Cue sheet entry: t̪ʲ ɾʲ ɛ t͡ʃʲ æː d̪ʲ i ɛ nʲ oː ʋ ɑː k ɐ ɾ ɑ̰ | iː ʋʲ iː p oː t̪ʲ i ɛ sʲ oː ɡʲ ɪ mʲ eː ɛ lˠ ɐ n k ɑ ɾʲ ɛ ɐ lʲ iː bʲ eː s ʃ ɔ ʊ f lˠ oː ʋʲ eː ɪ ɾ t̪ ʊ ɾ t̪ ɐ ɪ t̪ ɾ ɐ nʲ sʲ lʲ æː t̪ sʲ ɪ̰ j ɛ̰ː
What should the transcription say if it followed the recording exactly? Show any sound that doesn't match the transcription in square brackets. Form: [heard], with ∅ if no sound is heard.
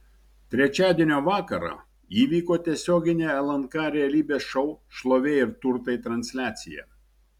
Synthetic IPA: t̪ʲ ɾʲ ɛ t͡ʃʲ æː d̪ʲ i ɛ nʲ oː ʋ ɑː k ɐ ɾ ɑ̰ | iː ʋʲ iː [k] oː t̪ʲ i ɛ sʲ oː ɡʲ ɪ [nʲ] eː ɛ lˠ ɐ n k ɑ ɾʲ ɛ ɐ lʲ iː bʲ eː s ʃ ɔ ʊ [ʃ] lˠ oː ʋʲ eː ɪ ɾ t̪ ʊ ɾ t̪ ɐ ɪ t̪ ɾ ɐ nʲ sʲ lʲ æː t̪ sʲ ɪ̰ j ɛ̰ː